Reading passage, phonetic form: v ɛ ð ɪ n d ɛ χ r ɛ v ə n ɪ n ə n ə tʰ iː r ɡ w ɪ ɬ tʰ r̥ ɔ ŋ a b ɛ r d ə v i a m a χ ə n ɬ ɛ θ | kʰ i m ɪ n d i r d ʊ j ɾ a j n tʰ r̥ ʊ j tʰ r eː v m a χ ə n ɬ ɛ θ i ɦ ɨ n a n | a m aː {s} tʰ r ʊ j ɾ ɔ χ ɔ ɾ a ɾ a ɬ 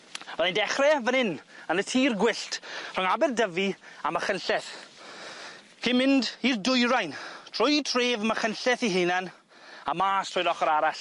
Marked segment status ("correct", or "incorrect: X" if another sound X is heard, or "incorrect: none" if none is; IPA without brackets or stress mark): correct